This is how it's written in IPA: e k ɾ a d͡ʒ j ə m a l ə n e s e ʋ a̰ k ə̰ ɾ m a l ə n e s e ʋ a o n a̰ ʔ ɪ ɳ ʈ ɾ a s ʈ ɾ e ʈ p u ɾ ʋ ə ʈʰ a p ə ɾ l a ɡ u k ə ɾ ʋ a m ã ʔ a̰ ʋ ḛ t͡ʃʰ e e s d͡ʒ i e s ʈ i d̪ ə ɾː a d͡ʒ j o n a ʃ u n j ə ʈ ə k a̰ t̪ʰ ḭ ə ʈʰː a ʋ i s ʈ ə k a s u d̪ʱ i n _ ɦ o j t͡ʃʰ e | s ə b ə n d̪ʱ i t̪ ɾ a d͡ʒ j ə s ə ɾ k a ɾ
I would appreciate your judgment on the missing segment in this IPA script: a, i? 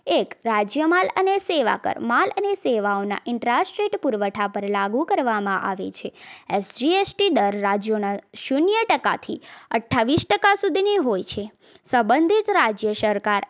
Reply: i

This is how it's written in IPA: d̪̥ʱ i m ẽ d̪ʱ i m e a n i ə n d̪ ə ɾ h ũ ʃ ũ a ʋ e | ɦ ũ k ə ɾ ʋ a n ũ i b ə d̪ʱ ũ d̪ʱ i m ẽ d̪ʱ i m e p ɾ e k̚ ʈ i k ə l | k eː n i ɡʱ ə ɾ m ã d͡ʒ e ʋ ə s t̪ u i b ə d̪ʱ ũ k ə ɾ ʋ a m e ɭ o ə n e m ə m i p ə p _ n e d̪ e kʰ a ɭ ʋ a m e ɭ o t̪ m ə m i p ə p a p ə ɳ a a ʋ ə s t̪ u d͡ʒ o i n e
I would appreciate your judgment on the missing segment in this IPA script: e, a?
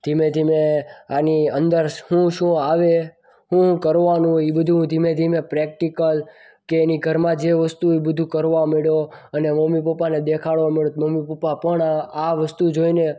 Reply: a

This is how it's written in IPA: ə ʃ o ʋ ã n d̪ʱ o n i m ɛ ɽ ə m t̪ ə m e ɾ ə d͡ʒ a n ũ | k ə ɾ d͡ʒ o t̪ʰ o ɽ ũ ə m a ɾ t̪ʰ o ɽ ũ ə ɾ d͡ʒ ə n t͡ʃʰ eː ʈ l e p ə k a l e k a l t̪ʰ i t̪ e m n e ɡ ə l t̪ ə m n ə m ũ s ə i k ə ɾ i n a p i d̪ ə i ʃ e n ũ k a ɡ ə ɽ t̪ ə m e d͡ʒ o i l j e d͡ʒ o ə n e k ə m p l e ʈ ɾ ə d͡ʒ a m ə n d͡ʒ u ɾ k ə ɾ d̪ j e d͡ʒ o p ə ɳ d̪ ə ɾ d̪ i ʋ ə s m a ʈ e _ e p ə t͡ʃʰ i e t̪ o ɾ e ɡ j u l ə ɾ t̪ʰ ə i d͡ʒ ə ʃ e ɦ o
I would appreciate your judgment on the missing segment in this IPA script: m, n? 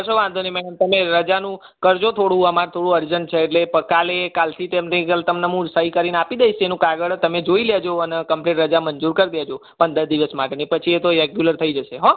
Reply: n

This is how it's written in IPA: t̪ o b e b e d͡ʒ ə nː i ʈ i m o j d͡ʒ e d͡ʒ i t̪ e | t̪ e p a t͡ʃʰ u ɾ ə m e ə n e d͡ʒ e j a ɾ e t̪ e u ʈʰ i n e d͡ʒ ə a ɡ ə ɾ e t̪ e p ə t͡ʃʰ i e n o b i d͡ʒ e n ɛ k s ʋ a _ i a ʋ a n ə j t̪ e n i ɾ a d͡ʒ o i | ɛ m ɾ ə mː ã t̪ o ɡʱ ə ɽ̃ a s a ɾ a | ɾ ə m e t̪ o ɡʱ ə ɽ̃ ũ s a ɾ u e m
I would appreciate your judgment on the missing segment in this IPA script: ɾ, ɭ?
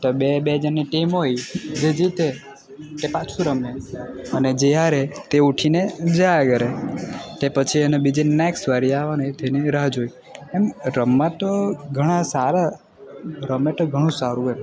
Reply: ɾ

